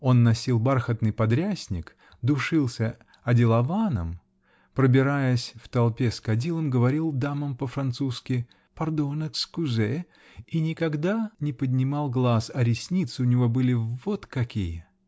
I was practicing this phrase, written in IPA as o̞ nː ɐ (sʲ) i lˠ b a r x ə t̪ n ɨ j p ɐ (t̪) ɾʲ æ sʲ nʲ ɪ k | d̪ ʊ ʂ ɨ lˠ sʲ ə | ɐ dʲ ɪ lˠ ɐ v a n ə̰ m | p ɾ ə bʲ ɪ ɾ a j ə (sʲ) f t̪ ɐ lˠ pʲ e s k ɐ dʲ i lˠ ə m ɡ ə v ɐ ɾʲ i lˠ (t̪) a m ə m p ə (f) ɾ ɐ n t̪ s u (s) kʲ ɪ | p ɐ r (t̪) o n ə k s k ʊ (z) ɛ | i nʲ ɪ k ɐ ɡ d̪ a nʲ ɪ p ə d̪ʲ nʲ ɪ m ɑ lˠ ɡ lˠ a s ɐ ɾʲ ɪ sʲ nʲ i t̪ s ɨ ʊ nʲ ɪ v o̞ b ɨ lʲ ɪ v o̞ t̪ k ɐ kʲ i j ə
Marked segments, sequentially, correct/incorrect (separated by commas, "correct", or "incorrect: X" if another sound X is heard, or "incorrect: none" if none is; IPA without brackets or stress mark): correct, incorrect: d̪, correct, incorrect: d̪, correct, correct, incorrect: d̪, correct